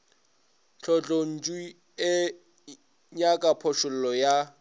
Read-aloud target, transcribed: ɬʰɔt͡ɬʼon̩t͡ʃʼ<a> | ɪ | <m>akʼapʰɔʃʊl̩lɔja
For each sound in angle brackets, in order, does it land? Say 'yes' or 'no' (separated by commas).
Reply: no, no